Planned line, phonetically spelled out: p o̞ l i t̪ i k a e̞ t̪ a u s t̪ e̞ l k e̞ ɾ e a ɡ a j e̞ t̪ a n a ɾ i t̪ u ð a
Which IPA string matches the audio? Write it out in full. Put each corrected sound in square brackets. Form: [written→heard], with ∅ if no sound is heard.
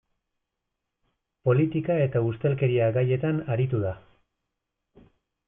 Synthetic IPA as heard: p o̞ l i t̪ i k a e̞ t̪ a u s t̪ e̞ l k e̞ ɾ [e→i] a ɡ a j e̞ t̪ a n a ɾ i t̪ u ð a